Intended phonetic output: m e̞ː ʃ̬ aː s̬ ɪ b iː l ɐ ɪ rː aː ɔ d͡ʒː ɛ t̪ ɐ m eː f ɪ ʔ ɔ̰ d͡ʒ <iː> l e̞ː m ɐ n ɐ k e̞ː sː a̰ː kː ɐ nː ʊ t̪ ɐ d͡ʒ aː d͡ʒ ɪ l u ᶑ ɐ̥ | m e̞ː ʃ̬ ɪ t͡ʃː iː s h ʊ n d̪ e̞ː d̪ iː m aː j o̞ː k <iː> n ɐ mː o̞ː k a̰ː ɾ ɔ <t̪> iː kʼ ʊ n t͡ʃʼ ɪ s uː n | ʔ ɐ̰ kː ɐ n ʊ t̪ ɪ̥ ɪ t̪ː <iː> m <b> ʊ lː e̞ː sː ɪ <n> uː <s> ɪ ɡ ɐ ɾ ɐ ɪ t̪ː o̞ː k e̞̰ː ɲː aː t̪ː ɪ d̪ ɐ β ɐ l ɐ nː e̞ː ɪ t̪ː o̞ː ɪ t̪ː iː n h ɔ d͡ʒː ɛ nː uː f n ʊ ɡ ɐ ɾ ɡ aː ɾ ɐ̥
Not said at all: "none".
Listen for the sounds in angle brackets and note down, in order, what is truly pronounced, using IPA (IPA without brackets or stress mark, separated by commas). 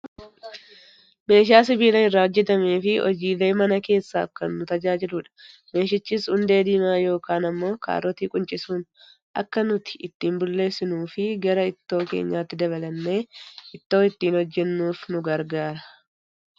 iː, aː, t̪, iː, b, n, f